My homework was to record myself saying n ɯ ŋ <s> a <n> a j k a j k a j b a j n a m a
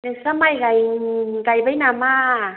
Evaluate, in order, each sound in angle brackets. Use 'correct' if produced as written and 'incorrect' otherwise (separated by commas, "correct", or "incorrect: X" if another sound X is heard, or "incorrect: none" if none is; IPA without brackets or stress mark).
correct, incorrect: m